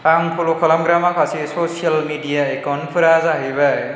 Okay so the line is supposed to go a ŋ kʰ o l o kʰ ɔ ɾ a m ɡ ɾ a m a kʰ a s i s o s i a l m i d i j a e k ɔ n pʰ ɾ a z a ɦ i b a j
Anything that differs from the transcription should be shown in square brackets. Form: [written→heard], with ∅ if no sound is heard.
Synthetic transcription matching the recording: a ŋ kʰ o l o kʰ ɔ [ɾ→l] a m ɡ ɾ a m a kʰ a s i s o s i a l m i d i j a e k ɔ n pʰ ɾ a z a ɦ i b a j